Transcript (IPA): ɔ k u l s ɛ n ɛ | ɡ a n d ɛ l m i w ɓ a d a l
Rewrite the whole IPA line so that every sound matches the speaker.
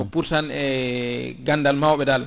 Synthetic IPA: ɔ p u ɾ s a n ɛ | ɡ a n d a l m a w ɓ ɛ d a l